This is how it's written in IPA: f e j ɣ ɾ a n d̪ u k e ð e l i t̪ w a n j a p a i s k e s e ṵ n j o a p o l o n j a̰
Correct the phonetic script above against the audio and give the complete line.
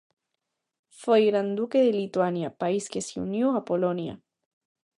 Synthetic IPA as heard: f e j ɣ ɾ a n d̪ u k e ð e l i t̪ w a n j a p a i s k e s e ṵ n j o a p o l o n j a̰